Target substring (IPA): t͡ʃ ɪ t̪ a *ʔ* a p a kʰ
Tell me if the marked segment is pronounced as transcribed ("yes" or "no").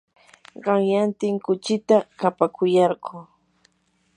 no